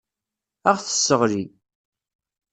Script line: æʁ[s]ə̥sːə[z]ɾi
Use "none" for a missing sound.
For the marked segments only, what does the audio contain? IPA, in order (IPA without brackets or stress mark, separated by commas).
θ, ʁ